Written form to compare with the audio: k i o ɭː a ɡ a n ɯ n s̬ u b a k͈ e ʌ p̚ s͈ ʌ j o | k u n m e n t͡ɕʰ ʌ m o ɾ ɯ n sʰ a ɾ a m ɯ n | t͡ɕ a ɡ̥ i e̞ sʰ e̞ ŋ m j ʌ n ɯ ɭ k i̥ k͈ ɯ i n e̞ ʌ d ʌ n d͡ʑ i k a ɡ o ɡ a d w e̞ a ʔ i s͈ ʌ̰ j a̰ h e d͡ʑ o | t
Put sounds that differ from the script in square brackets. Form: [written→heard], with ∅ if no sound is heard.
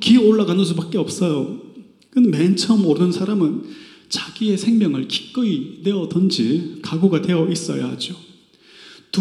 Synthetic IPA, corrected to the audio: k i o ɭː a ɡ a n ɯ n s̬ u b a k͈ e ʌ p̚ s͈ ʌ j o | k [u→ɯ] n m e n t͡ɕʰ ʌ m o ɾ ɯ n sʰ a ɾ a m ɯ n | t͡ɕ a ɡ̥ i e̞ sʰ e̞ ŋ m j ʌ [n→ŋ] ɯ ɭ k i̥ k͈ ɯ i n e̞ ʌ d ʌ n d͡ʑ i k a ɡ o ɡ a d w e̞ [a→ʌ] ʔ i s͈ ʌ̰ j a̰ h [e→a] d͡ʑ o | t